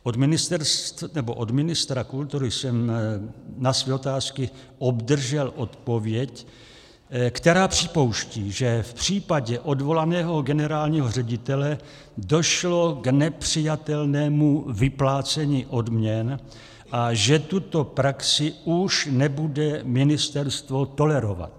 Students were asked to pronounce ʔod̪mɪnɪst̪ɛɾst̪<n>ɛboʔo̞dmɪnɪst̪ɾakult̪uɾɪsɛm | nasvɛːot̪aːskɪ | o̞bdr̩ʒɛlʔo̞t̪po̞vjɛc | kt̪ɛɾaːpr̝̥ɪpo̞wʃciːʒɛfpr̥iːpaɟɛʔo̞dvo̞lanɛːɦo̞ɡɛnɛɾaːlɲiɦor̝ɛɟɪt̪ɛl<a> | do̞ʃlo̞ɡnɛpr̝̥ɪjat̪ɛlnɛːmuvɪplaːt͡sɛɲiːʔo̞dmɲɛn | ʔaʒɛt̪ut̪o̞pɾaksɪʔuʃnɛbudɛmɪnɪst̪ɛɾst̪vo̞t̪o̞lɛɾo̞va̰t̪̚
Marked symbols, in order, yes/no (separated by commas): yes, no